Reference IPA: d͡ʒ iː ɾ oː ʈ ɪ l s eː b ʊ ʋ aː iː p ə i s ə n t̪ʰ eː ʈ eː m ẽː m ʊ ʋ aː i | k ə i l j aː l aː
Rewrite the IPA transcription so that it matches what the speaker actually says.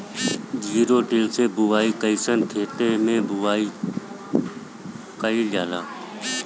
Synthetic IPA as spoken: d͡ʒ iː ɾ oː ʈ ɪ l s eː b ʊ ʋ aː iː k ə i s ə n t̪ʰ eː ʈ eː m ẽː b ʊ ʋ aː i | k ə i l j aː l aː